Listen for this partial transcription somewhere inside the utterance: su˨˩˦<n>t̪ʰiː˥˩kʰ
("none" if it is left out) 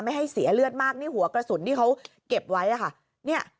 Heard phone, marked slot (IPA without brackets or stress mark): n